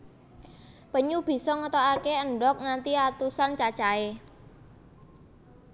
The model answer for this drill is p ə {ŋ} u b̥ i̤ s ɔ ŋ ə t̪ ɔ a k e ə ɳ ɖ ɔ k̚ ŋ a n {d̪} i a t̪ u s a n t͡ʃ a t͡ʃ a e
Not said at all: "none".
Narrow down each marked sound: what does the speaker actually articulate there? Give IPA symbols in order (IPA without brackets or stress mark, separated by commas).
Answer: ɲ, t̪